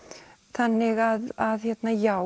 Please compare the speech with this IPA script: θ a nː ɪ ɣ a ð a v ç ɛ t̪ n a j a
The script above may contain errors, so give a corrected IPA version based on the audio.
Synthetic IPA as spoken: θ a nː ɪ ɣ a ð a ð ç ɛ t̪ n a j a